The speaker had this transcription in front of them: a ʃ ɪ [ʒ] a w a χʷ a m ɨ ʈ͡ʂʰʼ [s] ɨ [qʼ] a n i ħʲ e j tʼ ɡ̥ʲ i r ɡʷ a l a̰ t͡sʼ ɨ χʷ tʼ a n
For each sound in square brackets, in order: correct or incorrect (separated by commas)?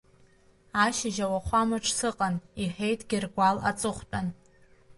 correct, correct, correct